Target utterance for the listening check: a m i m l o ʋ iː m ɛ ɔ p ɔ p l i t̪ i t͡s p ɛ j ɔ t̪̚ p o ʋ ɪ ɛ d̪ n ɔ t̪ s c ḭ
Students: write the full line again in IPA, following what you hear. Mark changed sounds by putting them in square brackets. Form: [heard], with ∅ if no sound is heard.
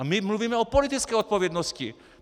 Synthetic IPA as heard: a m i m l [u] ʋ iː m ɛ ɔ p ɔ [∅] l i t̪ i t͡s [k] ɛ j ɔ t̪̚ p [ɔ] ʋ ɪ ɛ d̪ n ɔ [∅] s c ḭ